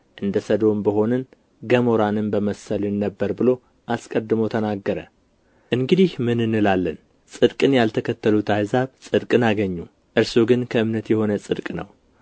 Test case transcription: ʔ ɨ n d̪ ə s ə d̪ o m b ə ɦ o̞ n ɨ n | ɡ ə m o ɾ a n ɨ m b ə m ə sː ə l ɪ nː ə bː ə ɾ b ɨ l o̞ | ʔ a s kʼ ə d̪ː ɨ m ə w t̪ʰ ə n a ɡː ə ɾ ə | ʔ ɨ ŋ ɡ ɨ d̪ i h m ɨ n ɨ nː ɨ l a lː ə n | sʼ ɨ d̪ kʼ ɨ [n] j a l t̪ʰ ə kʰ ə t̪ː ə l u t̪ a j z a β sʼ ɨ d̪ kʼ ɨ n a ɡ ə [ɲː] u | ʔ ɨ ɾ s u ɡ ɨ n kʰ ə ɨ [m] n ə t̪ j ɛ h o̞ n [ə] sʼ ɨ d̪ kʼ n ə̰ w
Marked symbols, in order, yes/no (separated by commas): yes, yes, yes, yes